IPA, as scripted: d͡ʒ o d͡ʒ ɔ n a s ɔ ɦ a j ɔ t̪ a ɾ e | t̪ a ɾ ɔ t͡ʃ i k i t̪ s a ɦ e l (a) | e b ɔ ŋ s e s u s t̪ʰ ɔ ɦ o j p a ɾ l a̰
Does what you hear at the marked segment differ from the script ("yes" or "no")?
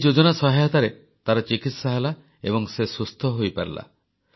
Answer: no